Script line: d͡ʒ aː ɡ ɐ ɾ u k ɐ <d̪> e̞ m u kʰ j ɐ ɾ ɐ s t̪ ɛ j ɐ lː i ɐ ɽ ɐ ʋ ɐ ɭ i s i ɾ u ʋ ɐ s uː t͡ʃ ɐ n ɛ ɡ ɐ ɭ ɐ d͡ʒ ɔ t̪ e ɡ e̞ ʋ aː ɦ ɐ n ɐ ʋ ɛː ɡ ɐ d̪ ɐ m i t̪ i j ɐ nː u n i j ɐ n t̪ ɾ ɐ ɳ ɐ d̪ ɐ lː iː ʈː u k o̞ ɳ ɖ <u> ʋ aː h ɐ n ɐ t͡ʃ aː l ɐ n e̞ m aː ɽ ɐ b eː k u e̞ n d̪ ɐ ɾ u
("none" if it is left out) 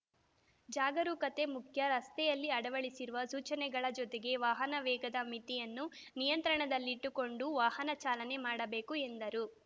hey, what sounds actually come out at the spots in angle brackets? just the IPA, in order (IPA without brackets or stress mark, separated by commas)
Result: t̪, u